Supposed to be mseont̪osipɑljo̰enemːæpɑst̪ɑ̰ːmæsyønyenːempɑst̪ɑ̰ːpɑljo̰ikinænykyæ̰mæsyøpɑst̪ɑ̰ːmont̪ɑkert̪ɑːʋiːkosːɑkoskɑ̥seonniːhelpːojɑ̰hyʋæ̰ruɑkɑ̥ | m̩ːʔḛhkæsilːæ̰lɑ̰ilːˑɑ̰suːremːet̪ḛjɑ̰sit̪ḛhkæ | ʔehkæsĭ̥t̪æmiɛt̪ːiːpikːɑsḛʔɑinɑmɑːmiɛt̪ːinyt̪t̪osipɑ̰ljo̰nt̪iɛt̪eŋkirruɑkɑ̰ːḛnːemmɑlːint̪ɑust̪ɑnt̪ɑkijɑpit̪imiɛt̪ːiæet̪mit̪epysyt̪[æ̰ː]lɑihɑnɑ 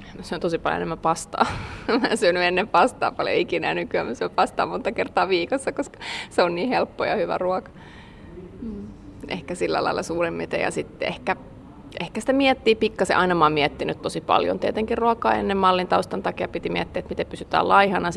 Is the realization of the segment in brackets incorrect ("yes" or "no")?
no